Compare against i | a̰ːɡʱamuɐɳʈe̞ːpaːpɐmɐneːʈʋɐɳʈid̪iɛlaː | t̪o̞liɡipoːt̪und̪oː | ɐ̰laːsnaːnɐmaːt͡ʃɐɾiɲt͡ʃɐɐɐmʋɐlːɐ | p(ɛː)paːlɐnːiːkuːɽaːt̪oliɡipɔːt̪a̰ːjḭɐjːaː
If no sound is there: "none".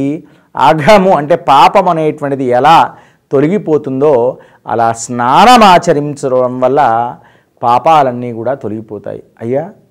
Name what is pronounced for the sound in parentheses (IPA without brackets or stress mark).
aː